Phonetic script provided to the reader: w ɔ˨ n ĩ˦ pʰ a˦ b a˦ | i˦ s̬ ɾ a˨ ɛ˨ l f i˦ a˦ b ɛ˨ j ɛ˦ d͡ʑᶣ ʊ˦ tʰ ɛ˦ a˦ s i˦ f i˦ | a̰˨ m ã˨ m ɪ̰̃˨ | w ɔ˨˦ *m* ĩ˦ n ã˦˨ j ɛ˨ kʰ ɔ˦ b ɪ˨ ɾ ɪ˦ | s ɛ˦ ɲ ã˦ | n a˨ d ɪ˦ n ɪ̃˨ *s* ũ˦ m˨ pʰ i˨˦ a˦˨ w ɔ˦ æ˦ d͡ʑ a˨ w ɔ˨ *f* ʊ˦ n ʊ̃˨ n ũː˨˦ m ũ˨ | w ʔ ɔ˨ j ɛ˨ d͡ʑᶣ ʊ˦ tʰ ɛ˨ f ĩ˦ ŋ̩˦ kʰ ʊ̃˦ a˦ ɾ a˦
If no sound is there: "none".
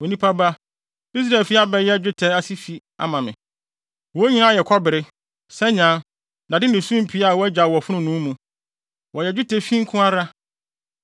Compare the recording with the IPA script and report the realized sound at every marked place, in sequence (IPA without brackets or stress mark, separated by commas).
ɲ, s, f